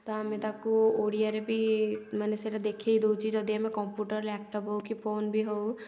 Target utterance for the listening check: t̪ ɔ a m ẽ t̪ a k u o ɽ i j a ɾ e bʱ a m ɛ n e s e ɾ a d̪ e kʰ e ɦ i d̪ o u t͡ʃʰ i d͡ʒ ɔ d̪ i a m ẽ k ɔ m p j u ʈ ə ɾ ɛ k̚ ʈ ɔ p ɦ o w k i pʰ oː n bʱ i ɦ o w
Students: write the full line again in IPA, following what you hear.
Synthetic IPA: t̪ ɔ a m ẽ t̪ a k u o ɽ i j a ɾ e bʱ i m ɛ n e s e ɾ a d̪ e kʰ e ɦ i d̪ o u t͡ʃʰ i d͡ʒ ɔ d̪ i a m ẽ k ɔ m p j u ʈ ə ɾ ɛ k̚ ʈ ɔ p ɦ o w k i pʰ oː n bʱ i ɦ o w